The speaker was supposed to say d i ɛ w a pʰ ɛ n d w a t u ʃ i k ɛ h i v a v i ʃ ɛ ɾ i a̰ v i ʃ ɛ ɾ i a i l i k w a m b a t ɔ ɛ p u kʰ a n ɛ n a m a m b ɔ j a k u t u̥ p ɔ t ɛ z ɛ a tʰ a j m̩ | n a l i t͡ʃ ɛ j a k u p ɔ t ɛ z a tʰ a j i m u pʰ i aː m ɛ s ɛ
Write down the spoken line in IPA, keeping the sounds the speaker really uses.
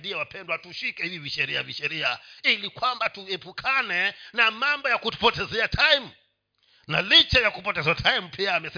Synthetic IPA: d i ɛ w a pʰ ɛ n d w a t u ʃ i k ɛ h i v i v i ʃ ɛ ɾ i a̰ v i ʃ ɛ ɾ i a i l i k w a m b a t u ɛ p u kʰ a n ɛ n a m a m b ɔ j a k u t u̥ p ɔ t ɛ z ɛ a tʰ a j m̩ | n a l i t͡ʃ ɛ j a k u p ɔ t ɛ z a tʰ a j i m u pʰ i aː m ɛ s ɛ